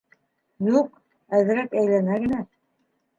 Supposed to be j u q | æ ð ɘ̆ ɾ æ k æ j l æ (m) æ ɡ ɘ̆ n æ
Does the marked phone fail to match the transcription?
yes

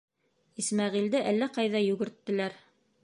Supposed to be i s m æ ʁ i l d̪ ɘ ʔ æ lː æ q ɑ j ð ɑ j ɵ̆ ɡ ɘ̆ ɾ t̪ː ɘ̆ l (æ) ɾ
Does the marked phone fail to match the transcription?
no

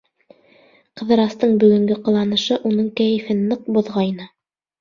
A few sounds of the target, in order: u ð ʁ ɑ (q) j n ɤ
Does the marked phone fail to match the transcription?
yes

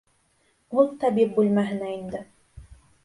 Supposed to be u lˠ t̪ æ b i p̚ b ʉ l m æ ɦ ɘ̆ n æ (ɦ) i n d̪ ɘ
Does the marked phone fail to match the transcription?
yes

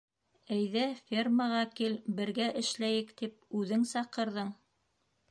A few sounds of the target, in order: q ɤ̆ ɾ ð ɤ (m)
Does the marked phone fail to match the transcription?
yes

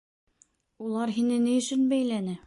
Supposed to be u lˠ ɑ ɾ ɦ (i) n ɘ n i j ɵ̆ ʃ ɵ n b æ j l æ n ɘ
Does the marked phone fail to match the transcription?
no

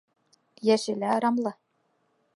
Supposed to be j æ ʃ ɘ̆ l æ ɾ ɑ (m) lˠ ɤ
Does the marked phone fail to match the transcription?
no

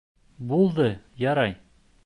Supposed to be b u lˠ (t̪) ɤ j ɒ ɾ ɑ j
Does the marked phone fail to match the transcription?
yes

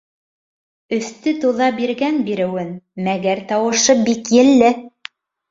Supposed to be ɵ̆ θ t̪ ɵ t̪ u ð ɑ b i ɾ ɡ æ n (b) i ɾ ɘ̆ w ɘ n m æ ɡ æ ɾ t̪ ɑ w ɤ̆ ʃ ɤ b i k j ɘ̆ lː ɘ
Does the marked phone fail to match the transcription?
no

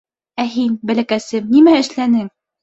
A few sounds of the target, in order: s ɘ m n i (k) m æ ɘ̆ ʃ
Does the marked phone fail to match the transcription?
yes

